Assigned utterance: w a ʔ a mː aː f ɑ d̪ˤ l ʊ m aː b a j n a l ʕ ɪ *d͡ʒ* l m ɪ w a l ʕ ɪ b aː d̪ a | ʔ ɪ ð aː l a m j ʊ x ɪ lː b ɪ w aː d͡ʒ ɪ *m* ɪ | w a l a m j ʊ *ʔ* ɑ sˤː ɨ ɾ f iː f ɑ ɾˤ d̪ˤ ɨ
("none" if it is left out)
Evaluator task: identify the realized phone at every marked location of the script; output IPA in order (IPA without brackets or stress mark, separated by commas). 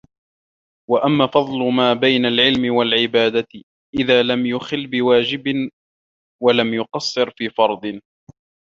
none, b, q